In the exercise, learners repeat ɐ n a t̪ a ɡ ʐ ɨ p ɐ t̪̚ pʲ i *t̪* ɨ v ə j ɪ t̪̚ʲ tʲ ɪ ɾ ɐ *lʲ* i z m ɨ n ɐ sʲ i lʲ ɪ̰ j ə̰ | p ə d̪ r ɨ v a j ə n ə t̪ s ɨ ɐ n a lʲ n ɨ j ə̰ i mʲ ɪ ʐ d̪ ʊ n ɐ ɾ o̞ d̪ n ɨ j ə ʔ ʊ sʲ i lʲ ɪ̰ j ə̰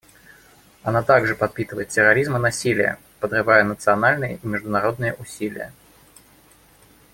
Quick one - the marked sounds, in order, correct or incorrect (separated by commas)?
correct, incorrect